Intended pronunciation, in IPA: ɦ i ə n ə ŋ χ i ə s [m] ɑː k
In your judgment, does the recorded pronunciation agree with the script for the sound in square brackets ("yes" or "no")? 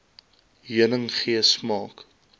yes